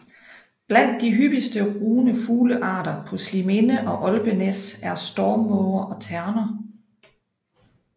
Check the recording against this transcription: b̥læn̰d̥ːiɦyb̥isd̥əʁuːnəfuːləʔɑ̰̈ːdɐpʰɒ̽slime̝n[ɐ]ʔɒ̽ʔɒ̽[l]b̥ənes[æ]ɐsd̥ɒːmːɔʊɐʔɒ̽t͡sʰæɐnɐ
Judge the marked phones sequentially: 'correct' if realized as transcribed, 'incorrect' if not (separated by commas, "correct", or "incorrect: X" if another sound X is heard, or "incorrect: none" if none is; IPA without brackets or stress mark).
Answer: incorrect: ə, correct, correct